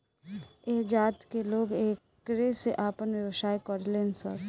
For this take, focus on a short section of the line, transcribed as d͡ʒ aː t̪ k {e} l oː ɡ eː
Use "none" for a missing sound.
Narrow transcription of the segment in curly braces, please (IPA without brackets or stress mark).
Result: e